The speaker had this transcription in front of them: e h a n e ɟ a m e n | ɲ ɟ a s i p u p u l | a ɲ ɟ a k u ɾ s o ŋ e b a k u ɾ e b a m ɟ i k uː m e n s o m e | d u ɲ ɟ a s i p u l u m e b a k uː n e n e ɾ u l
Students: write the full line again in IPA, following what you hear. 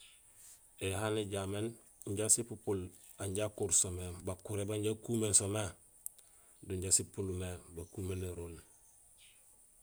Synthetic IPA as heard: e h a n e ɟ a m e n | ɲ ɟ a s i p u p u l | a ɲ ɟ a k u ɾ s o m e b a k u ɾ e b a ɲ ɟ a k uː m e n s o m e | d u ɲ ɟ a s i p u l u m e b a k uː m e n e ɾ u l